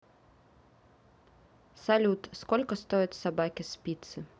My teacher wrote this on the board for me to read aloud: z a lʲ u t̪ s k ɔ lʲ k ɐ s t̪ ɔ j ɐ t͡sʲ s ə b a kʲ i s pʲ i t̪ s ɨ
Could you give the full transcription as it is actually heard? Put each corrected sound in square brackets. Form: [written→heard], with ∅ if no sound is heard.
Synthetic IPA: [z→s] a lʲ u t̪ s k ɔ lʲ k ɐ s t̪ ɔ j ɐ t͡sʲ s [ə→a] b a kʲ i s pʲ i t̪ s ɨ